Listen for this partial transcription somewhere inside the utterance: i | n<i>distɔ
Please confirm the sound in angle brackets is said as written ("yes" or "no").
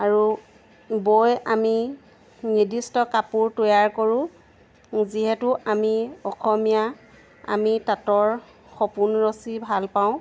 yes